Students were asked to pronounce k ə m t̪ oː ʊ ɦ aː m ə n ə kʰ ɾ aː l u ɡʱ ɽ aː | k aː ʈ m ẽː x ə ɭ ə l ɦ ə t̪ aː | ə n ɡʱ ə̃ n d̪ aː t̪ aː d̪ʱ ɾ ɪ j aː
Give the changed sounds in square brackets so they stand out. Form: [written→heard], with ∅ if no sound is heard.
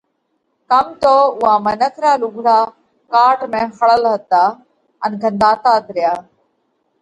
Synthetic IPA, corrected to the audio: k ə m t̪ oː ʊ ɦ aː m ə n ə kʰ ɾ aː l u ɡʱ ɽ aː | k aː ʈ m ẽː x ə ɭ ə l ɦ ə t̪ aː | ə n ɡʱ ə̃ n d̪ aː t̪ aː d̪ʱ ɾ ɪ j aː

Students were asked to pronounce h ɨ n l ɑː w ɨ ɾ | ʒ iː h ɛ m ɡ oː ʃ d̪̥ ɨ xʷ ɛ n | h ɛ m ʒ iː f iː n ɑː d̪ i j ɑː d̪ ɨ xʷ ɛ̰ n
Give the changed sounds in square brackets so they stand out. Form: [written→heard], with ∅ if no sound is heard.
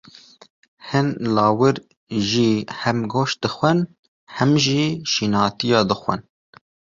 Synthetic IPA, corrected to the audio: h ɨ n l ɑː w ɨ ɾ | ʒ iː h ɛ m ɡ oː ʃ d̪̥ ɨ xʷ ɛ n | h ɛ m ʒ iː [f→ʃ] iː n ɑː [d̪→t̪] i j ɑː d̪ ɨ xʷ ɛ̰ n

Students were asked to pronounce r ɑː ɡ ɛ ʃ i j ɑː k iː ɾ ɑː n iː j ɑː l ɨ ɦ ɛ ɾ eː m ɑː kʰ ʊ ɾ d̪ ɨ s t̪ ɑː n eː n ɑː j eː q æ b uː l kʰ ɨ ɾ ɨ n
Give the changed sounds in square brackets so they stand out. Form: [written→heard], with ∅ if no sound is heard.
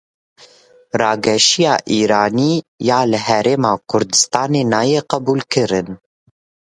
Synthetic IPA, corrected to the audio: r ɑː ɡ ɛ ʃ i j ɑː [k→ʔ] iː ɾ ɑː n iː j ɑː l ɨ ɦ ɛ ɾ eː m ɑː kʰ ʊ ɾ d̪ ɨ s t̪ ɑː n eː n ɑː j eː q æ b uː l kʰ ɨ ɾ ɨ n

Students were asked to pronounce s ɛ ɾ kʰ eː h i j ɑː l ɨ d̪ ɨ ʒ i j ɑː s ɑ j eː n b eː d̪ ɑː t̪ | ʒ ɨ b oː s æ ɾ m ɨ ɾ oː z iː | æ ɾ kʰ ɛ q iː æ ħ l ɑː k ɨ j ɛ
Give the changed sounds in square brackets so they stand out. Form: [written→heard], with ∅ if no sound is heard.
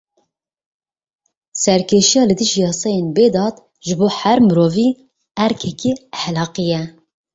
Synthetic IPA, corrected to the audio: s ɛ ɾ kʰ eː [h→ʃ] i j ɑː l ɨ d̪ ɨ ʒ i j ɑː s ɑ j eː n b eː d̪ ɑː t̪ | ʒ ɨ b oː [s→h] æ ɾ m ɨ ɾ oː [z→v] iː | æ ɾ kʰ ɛ [q→k] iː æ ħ l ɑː [k→q] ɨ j ɛ

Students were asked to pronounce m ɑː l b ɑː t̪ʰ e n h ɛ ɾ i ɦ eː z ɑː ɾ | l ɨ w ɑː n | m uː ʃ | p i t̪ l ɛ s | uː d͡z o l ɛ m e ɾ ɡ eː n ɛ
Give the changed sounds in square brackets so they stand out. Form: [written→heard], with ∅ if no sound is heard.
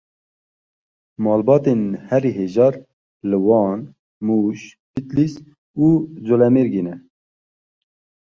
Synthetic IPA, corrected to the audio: m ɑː l b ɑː [t̪ʰ→t̪] e n h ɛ ɾ i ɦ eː [z→ʒ] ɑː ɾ | l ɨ w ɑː n | m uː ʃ | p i t̪ l [ɛ→i] s | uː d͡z o l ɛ m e ɾ ɡ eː n ɛ

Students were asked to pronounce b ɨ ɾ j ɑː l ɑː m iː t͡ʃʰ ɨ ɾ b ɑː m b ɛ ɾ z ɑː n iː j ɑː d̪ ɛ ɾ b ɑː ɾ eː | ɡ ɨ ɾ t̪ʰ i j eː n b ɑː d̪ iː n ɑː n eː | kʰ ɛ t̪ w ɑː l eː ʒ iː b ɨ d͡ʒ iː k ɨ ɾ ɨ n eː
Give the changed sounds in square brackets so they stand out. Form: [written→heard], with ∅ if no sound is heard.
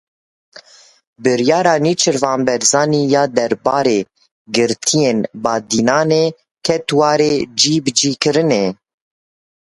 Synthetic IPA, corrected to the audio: b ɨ ɾ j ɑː [l→ɾ] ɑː [m→n] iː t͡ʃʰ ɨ ɾ [b→v] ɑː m b ɛ ɾ z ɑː n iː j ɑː d̪ ɛ ɾ b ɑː ɾ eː | ɡ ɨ ɾ t̪ʰ i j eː n b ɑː d̪ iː n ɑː n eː | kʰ ɛ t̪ w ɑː [l→ɾ] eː [ʒ→d͡ʒ] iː b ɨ d͡ʒ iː k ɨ ɾ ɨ n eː

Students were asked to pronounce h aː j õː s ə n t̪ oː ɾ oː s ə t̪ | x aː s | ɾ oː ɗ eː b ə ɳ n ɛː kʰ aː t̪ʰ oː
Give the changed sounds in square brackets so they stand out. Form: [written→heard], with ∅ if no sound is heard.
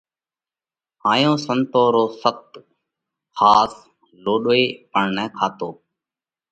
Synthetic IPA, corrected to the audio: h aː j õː s ə n t̪ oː ɾ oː s ə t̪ | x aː s | [ɾ→l] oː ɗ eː [b→p] ə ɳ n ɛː kʰ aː [t̪ʰ→t̪] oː

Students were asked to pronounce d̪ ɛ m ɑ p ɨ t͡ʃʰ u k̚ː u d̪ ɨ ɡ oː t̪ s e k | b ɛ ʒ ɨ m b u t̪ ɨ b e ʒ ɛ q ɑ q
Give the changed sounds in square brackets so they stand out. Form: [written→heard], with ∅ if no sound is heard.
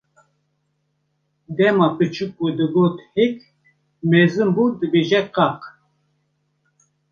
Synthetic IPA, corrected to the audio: d̪ ɛ m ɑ p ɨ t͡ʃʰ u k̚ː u d̪ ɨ ɡ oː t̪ [s→h] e k | [b→m] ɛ [ʒ→z] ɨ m b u [t̪→d̪] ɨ b e ʒ ɛ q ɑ q

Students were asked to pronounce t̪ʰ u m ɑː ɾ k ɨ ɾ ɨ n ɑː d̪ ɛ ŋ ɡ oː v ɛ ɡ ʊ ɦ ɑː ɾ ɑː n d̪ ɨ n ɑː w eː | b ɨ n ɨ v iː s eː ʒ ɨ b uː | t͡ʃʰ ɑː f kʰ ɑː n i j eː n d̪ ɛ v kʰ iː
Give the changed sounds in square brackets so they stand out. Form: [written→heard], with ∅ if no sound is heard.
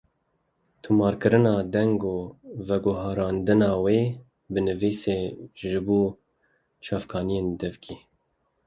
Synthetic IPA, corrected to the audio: t̪ʰ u m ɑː ɾ k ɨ ɾ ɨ n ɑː d̪ ɛ ŋ ɡ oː v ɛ ɡ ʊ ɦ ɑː ɾ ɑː n d̪ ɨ n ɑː w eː | b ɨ n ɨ v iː s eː ʒ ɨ b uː | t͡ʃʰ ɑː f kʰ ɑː n i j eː n d̪ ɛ v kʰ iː

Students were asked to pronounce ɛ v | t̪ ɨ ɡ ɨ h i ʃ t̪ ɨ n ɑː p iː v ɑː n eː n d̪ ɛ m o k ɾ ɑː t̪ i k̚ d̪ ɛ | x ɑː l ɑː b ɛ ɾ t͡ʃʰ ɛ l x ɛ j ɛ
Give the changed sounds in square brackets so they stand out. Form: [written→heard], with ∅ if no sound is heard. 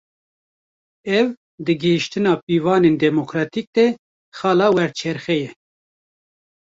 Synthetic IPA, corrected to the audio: ɛ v | [t̪→d̪] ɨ ɡ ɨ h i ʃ t̪ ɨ n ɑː p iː v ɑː n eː n d̪ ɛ m o k ɾ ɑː t̪ i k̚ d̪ ɛ | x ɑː l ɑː [b→w] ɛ ɾ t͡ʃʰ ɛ [l→ɾ] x ɛ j ɛ

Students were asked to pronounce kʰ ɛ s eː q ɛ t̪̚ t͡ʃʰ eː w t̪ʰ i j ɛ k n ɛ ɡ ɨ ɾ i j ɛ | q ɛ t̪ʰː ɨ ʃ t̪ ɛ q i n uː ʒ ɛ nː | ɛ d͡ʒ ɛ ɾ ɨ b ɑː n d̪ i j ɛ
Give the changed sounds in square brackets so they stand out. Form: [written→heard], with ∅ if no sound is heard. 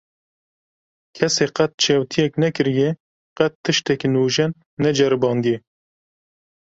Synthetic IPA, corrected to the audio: kʰ ɛ s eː q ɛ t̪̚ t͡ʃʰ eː w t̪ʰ i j ɛ k n ɛ [ɡ→k] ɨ ɾ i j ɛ | q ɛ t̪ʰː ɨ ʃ t̪ ɛ [q→k] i n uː ʒ ɛ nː | ɛ d͡ʒ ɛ ɾ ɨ b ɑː n d̪ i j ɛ

